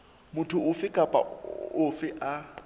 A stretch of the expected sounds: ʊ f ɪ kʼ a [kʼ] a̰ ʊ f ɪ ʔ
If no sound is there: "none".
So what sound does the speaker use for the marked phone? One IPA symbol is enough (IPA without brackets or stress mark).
pʼ